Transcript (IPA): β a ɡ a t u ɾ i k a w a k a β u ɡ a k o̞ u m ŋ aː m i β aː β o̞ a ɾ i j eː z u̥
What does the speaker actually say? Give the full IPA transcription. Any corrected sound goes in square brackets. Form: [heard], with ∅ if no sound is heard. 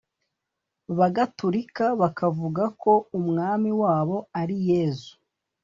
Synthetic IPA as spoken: β a ɡ a t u ɾ i k a [β] a k a [v] u ɡ a k o̞ u m ŋ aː m i [w] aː β o̞ a ɾ i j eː z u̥